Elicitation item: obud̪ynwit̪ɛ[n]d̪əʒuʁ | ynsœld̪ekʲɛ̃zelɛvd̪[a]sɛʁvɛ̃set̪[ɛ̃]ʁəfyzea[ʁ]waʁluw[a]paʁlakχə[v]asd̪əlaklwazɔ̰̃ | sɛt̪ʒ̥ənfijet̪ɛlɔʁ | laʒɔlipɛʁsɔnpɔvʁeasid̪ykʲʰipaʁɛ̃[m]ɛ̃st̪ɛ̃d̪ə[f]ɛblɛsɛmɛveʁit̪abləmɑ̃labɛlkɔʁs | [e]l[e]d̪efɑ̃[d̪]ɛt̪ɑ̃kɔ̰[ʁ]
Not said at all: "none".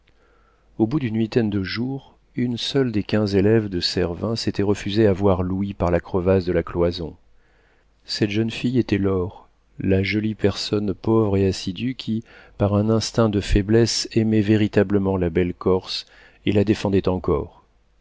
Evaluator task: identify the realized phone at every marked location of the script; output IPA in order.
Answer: n, ə, ɛ, v, i, v, n, f, e, a, d̪, ʁ

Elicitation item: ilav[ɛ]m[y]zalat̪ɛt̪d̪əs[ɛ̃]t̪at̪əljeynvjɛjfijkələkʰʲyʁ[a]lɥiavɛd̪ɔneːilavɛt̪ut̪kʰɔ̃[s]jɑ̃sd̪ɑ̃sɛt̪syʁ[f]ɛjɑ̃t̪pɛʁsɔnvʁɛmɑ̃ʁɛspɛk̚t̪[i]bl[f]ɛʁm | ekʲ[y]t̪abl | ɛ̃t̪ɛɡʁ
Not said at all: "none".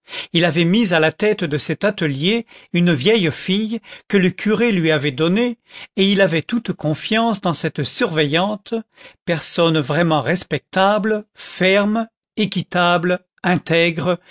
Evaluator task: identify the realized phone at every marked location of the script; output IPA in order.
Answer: ɛ, i, ɛ, e, f, v, a, f, i

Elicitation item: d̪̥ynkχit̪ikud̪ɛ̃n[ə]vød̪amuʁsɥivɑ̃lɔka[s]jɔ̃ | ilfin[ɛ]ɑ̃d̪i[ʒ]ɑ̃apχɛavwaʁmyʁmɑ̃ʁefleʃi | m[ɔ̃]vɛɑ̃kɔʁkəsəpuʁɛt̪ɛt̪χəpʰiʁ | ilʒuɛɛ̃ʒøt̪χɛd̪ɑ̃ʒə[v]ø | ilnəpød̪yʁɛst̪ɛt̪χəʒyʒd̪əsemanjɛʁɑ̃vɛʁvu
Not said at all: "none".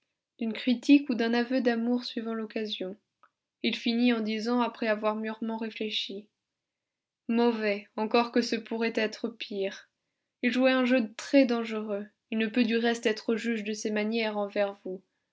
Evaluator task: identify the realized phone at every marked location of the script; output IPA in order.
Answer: a, z, i, z, ɔ, ʁ

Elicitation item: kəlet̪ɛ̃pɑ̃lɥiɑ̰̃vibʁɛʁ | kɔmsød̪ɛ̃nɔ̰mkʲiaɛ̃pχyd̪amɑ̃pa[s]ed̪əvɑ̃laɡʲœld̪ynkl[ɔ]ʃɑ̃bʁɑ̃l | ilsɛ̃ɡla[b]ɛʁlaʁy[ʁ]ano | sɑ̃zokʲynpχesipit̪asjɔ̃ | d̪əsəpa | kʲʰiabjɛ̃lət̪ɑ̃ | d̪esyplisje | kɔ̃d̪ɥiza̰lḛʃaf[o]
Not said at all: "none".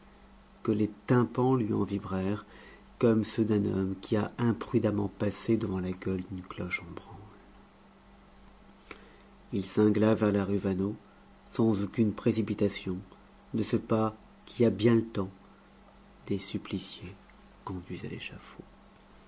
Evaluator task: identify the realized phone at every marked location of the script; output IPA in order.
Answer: s, ɔ, v, v, o

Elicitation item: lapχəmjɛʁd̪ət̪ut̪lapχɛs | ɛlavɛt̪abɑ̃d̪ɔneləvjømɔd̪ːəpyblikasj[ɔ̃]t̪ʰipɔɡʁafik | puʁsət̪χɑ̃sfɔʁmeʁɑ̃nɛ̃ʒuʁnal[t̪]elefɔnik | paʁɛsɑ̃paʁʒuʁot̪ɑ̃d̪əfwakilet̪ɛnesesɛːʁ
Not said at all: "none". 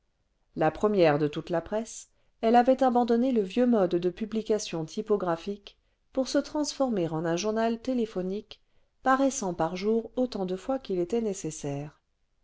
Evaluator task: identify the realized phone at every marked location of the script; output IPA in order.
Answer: ɔ̃, t̪

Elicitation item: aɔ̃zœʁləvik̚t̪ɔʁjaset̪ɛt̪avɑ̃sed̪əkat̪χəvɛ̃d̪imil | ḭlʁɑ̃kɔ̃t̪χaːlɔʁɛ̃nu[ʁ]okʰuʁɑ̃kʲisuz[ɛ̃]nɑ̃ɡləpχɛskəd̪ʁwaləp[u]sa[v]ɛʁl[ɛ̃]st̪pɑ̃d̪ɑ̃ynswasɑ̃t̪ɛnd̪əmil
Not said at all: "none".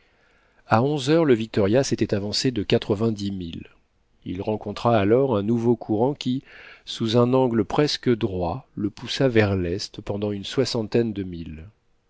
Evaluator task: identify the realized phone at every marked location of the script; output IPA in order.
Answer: v, ɛ̃, u, v, ɛ

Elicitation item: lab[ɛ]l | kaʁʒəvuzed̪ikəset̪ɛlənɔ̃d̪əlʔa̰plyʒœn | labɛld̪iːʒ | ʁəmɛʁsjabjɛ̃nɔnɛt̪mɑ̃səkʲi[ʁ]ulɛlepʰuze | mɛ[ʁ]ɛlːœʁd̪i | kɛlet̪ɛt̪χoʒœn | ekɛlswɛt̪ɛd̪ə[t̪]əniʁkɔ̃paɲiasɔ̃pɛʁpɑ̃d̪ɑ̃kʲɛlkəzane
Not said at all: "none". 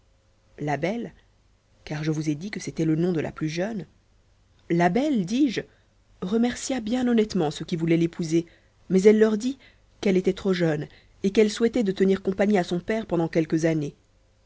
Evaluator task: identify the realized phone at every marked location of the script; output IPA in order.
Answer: ɛ, v, z, t̪

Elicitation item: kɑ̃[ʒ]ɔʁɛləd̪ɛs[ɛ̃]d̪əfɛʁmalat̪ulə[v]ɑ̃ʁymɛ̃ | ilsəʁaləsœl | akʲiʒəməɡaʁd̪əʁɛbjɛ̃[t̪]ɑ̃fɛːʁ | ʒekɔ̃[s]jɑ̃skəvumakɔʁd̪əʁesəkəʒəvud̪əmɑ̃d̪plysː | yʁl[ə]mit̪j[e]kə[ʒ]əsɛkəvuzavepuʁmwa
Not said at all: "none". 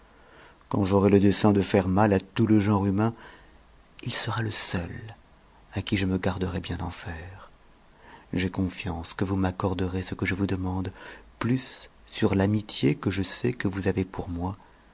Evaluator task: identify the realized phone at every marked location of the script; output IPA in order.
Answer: ʒ, ɛ̃, ʒ, d̪, f, a, e, ʒ

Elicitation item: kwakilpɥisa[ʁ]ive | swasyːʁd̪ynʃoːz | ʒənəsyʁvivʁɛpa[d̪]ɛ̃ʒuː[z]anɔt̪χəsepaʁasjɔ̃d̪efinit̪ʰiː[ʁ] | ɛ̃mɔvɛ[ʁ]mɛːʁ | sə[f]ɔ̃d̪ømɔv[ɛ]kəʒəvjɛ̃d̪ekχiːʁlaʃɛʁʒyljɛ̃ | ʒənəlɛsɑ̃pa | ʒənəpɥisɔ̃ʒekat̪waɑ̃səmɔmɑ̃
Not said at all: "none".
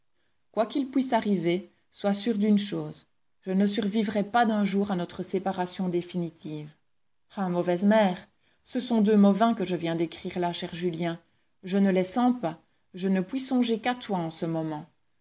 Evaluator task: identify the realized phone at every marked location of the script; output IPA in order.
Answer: ʁ, d̪, ʁ, v, z, s, ɛ̃

